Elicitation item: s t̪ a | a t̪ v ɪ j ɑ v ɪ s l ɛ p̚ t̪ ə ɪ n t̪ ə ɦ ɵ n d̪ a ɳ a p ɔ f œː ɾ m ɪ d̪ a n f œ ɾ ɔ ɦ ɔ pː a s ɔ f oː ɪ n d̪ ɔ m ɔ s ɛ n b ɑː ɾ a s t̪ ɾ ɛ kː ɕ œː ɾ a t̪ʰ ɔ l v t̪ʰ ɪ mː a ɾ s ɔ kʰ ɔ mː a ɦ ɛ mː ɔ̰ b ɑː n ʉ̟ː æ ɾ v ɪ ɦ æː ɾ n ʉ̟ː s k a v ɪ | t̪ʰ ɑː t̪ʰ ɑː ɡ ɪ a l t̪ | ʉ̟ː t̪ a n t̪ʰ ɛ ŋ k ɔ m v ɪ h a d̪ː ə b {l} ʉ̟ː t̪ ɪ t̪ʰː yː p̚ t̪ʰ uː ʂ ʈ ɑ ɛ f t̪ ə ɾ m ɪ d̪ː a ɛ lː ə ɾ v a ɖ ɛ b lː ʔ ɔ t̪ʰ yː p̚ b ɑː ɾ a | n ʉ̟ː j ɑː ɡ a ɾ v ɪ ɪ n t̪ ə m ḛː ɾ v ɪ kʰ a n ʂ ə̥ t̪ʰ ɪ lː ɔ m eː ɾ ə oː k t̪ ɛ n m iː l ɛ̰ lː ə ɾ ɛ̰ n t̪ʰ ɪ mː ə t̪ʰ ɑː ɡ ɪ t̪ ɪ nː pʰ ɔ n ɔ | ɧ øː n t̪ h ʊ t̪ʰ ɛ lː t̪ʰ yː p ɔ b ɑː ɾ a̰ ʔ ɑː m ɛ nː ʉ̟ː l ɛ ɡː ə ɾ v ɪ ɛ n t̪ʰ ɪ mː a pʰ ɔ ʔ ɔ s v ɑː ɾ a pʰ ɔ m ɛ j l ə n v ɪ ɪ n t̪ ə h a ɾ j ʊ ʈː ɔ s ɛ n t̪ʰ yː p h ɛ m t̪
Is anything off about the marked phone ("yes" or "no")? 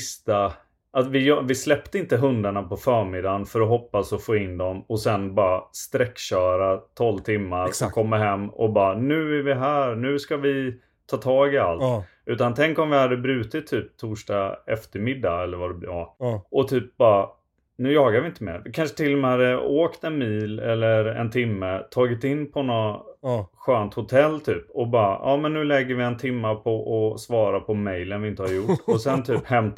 yes